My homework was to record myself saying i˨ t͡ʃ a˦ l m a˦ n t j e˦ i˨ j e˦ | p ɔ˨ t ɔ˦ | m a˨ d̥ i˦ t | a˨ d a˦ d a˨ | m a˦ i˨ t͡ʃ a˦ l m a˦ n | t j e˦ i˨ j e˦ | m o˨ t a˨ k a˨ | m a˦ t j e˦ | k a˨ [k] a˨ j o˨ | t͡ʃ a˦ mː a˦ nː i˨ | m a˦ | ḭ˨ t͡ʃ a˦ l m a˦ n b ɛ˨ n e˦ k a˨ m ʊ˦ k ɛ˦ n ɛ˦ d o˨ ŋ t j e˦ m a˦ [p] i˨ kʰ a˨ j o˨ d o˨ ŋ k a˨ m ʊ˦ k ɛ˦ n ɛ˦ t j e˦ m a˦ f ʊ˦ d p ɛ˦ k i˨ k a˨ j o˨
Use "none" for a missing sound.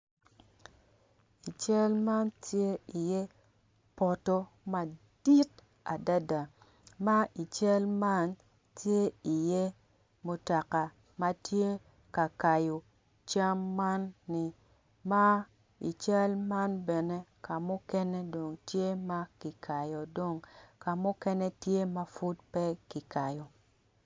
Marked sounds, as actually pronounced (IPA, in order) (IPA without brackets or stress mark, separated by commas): k, k